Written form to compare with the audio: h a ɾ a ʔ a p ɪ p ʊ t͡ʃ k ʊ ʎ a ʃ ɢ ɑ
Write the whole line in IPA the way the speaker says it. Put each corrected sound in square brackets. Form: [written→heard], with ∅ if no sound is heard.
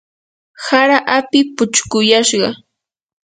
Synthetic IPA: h a ɾ a ʔ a p ɪ p ʊ t͡ʃ k ʊ [ʎ→j] a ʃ ɢ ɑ